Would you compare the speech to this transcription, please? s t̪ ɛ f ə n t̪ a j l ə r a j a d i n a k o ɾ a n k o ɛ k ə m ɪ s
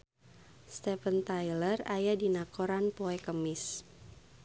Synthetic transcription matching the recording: s t̪ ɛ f ə n t̪ a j l ə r a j a d i n a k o ɾ a n p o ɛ k ə m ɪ s